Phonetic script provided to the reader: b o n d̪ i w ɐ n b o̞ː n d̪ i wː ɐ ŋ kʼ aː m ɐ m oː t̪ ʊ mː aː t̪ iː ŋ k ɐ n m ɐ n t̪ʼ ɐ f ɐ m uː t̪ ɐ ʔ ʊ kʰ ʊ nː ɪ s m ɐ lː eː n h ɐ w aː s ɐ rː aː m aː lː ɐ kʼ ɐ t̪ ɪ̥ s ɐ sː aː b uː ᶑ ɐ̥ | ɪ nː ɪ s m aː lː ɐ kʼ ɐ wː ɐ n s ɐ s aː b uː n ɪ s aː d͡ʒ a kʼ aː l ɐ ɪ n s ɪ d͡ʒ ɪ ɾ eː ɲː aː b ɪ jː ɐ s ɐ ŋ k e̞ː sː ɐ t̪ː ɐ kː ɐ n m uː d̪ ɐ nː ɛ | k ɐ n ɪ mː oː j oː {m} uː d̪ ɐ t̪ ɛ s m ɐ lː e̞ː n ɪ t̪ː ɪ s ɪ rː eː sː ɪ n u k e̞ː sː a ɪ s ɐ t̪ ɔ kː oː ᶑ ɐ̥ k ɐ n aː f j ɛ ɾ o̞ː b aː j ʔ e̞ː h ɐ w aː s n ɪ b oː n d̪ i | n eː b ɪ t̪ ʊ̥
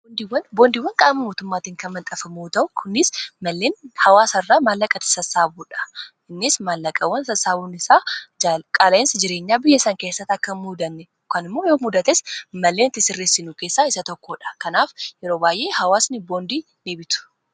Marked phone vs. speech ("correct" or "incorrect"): correct